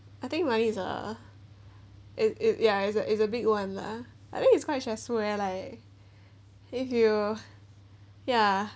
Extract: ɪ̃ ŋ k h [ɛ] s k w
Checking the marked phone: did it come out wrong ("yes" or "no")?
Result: yes